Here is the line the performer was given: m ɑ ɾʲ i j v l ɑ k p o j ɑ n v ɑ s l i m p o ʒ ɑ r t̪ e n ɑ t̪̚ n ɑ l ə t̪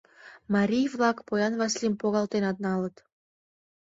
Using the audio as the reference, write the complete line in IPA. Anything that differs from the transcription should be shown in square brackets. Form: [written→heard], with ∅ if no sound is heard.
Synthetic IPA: m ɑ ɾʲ i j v l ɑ k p o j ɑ n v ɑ s l i m p o [ʒ→ɣ] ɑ [r→l] t̪ e n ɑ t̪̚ n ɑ l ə t̪